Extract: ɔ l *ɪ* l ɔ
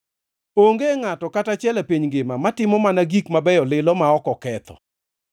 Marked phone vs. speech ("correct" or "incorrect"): correct